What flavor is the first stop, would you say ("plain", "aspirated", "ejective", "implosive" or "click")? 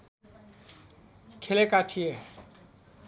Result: aspirated